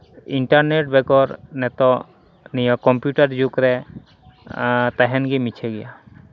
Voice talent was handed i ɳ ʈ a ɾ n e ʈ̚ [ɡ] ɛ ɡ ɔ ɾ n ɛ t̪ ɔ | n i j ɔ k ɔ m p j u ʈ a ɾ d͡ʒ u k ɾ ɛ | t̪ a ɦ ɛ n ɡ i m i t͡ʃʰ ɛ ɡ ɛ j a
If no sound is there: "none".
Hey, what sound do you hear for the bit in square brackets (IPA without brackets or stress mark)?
b